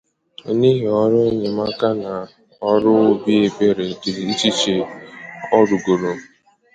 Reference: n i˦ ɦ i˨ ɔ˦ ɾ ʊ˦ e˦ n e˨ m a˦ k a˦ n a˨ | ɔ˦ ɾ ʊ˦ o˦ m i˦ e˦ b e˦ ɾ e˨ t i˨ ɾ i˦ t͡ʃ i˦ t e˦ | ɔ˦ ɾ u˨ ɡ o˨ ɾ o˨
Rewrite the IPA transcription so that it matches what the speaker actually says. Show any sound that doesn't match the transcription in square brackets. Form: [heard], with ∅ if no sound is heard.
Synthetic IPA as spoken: n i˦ ɦ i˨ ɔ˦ ɾ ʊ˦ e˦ [ɲ] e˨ m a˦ k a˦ n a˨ | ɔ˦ ɾ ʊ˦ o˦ [b] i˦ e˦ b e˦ ɾ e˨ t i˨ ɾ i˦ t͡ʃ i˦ [t͡ʃ] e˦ | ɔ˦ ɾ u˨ ɡ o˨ ɾ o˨